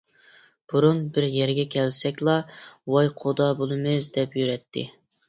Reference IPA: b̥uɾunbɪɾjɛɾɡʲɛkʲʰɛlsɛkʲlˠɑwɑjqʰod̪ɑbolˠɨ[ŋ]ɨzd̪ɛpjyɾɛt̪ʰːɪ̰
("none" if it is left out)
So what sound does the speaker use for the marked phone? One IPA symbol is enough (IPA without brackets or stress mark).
m